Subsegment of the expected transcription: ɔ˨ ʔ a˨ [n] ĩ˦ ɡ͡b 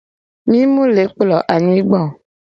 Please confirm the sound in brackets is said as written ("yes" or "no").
no